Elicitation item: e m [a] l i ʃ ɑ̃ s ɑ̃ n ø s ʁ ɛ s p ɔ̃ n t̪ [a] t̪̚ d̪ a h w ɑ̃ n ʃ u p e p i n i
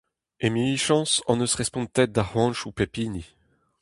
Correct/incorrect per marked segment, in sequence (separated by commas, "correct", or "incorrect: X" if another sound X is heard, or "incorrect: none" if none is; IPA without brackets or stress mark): incorrect: i, incorrect: ɛ